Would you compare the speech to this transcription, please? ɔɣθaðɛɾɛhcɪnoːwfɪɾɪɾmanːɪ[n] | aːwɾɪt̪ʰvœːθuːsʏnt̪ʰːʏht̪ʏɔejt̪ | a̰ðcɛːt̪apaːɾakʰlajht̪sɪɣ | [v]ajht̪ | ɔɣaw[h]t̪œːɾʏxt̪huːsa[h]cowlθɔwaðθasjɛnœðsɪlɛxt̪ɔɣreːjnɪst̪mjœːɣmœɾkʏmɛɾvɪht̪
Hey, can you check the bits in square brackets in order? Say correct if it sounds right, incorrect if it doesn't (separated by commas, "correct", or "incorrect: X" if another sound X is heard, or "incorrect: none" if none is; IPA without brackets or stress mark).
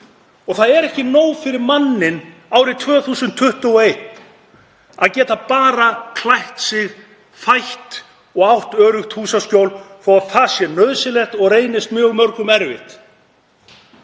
correct, incorrect: f, correct, incorrect: s